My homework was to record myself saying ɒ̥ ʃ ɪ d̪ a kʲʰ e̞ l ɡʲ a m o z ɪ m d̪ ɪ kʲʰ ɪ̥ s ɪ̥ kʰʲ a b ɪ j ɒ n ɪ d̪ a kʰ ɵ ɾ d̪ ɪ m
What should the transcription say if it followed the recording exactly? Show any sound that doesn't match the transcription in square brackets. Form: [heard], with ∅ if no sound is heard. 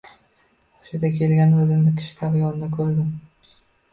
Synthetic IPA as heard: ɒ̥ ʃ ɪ d̪ a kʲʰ e̞ l ɡʲ a [n] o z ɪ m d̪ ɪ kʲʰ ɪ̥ [ʃ] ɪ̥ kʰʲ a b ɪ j ɒ n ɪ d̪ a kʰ ɵ ɾ d̪ ɪ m